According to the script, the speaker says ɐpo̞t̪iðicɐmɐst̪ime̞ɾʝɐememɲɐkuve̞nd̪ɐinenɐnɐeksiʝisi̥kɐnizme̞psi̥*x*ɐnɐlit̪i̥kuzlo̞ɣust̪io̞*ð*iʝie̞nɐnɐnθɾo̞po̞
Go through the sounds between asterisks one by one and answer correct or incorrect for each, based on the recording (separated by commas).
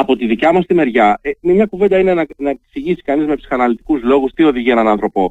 correct, correct